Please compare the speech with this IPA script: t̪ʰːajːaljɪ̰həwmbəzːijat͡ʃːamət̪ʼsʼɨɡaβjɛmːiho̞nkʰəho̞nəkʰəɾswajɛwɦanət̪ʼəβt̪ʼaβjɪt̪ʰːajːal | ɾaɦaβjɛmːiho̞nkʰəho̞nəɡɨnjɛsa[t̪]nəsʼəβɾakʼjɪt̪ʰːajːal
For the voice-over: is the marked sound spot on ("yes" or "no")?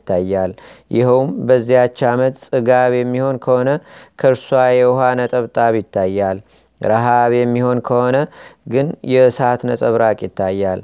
yes